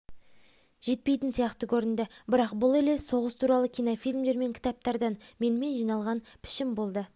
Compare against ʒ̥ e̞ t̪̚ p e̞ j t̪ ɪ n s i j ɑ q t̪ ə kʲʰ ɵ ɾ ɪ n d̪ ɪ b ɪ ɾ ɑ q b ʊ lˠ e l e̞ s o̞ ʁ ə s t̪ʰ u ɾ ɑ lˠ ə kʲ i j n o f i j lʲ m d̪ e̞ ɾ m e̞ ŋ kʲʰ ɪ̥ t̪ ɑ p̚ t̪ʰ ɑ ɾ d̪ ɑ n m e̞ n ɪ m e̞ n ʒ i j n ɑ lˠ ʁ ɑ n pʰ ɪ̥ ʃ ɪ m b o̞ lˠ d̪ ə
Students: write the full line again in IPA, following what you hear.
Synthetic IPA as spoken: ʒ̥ e̞ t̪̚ p e̞ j t̪ ɪ n s i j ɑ q t̪ ə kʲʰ ɵ ɾ ɪ n d̪ ɪ b ɪ ɾ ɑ q b ʊ lˠ e l e̞ s o̞ ʁ ə s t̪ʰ u ɾ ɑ lˠ ə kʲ i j n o f i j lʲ m d̪ e̞ ɾ m e̞ ŋ kʲʰ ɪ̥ t̪ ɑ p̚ t̪ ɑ ɾ d̪ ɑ n m e̞ n ɪ m e̞ n ʒ i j n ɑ lˠ ʁ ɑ n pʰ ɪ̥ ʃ ɪ m b o̞ lˠ d̪ ə